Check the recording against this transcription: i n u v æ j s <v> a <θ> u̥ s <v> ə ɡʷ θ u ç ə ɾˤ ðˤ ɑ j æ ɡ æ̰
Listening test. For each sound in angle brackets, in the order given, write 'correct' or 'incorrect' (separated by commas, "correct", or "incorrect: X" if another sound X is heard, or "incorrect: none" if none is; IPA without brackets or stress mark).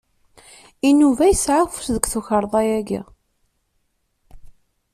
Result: incorrect: ʕ, incorrect: f, incorrect: ð